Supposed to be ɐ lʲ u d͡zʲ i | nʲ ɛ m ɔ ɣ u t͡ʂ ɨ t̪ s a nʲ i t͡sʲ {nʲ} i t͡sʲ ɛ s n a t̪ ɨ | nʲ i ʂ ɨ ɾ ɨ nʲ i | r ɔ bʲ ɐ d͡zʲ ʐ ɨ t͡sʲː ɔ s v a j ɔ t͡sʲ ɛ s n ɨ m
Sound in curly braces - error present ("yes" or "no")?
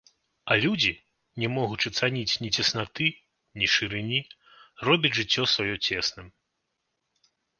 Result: no